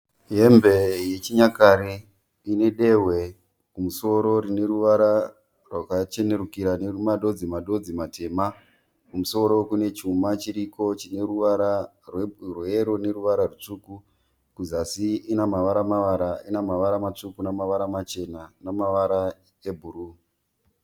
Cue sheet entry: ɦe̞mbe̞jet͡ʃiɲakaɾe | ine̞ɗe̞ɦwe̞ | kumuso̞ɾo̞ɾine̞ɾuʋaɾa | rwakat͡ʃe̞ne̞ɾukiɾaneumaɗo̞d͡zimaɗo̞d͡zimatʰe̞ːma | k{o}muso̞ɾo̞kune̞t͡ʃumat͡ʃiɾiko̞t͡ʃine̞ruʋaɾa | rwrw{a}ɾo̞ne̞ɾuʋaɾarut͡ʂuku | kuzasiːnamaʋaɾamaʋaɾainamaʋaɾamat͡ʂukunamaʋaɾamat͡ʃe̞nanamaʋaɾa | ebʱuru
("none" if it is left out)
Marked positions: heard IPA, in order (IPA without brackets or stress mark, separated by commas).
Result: u, e